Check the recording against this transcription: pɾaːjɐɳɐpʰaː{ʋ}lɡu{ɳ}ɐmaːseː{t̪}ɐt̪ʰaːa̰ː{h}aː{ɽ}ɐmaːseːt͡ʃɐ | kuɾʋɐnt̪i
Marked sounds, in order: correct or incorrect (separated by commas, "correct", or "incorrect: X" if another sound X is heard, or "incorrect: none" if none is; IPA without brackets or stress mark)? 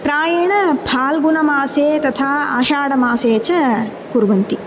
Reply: incorrect: none, incorrect: n, correct, incorrect: ʃ, correct